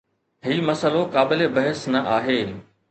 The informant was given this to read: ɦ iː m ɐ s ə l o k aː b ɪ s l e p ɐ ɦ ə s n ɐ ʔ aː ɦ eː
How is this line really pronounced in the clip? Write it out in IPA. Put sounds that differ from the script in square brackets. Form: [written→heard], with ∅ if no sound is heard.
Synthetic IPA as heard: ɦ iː m ɐ s ə l o k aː b ɪ [s→∅] l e [p→b] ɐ ɦ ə s n ɐ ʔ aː ɦ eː

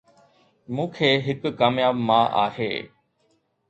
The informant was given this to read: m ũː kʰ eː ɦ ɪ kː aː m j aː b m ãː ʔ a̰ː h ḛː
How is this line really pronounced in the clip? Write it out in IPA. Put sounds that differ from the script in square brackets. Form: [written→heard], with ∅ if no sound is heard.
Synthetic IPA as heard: m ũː kʰ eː ɦ ɪ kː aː m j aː b m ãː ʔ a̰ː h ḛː

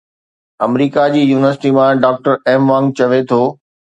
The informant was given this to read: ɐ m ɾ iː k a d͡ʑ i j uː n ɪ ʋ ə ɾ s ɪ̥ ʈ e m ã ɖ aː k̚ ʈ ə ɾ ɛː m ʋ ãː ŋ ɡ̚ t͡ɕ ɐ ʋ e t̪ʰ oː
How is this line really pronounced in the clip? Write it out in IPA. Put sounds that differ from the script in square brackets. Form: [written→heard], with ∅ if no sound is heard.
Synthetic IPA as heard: ɐ m ɾ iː k a d͡ʑ [i→iː] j uː n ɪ ʋ ə ɾ s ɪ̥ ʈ [e→i] m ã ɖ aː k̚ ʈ ə ɾ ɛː m ʋ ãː ŋ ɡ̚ t͡ɕ ɐ ʋ e t̪ʰ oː

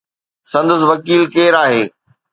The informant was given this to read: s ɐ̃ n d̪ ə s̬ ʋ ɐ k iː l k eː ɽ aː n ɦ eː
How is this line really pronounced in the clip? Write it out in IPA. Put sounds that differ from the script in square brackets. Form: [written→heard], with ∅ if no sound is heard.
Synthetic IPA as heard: s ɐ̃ n d̪ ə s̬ ʋ ɐ k iː l k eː [ɽ→ɾ] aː [n→∅] ɦ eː

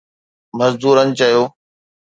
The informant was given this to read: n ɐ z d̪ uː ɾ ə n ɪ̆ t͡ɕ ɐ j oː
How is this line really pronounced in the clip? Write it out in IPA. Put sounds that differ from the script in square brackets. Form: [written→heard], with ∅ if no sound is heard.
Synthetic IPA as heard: [n→m] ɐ z d̪ uː ɾ ə n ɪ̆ t͡ɕ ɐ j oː

